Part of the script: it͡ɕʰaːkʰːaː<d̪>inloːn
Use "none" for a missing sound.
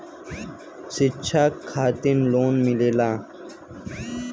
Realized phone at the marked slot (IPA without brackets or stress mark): t̪